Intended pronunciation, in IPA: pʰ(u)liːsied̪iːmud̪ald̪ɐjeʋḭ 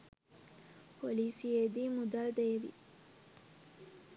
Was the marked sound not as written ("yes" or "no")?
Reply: yes